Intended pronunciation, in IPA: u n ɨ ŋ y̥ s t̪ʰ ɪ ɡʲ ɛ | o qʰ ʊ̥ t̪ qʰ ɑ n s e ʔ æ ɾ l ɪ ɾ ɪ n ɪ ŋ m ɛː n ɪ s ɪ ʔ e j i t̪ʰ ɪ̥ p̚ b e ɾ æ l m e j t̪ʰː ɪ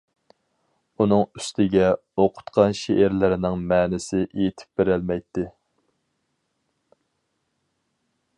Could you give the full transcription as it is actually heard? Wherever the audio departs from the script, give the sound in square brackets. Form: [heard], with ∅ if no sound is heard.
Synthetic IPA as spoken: u n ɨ ŋ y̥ s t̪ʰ ɪ ɡʲ ɛ | o qʰ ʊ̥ t̪ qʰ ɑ n [ʃ] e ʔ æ ɾ l ɪ ɾ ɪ n ɪ ŋ m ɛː n ɪ s ɪ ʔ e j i t̪ʰ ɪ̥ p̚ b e ɾ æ l m [ɛ] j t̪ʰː ɪ